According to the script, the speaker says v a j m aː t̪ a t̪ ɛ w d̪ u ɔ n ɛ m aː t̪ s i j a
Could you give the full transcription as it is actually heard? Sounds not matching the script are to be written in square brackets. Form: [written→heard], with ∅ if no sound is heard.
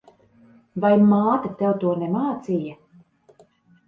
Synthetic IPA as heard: v a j m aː t̪ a t̪ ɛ w [d̪→t̪] u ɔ n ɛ m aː t̪ s i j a